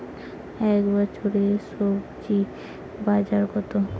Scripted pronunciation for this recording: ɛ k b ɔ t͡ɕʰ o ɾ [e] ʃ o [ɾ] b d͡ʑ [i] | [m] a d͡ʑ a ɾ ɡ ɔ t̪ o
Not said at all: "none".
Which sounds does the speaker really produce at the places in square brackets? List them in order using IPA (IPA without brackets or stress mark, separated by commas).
e, none, i, b